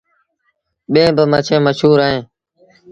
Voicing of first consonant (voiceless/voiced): voiced